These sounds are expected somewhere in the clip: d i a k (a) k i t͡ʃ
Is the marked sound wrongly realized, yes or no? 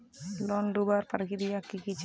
yes